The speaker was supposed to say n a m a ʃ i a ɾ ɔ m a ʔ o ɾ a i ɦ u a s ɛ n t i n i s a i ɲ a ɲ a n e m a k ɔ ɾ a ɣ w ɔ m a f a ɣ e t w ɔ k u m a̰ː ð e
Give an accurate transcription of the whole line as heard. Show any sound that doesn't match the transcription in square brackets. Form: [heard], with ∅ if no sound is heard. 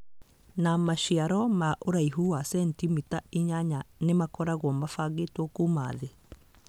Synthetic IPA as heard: n a m a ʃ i a ɾ ɔ m a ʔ o ɾ a i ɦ u a s ɛ n t i [m] i [t] a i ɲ a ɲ a n e m a k ɔ ɾ a ɣ w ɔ m a f a ɣ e t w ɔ k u m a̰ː ð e